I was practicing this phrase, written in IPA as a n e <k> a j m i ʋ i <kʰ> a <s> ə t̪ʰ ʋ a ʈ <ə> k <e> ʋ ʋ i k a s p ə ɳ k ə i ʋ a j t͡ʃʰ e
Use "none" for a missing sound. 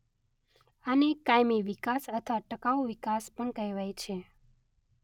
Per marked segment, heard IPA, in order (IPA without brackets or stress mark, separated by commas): k, k, s, ə, a